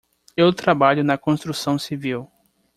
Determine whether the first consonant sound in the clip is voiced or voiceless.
voiced